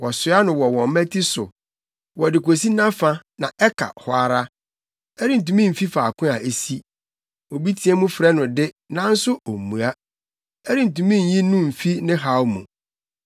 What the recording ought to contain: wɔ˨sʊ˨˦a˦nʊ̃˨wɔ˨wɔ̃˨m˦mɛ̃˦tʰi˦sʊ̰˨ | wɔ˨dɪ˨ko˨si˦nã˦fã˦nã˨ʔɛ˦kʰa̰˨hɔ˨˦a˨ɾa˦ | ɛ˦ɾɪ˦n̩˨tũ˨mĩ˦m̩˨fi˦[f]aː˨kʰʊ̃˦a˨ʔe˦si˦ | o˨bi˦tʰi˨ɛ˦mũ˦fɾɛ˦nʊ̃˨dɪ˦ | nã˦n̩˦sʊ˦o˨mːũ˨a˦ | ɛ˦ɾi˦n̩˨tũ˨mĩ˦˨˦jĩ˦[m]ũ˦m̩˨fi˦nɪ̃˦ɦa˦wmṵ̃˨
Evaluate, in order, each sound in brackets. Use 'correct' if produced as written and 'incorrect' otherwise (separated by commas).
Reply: correct, incorrect